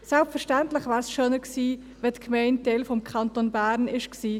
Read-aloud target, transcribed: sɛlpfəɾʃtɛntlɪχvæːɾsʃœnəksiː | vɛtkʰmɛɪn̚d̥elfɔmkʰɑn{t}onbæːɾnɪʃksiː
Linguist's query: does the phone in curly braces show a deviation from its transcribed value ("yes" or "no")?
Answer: no